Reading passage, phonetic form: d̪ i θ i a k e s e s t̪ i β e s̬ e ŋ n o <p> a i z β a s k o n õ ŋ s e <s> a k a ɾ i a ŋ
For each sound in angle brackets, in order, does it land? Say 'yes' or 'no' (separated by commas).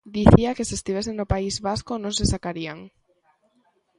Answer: yes, yes